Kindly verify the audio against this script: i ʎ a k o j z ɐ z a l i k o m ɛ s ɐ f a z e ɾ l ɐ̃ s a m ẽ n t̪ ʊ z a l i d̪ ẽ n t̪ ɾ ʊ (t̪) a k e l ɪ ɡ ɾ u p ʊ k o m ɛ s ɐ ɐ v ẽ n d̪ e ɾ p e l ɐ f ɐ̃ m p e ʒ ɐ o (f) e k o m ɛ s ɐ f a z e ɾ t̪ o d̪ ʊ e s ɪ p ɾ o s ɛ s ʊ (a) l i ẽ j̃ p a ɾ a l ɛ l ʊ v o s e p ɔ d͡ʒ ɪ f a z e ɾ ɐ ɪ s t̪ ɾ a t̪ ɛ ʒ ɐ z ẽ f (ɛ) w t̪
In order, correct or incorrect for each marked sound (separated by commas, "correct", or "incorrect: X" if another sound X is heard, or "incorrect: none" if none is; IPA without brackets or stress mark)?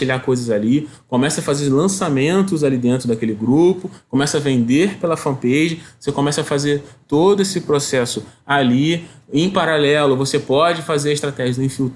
incorrect: d̪, incorrect: s, correct, incorrect: i